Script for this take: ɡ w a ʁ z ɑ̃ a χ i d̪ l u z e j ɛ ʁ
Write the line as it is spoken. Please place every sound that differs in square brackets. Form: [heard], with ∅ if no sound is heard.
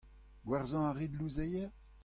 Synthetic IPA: ɡ w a ʁ z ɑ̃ a [ʁ] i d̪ l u z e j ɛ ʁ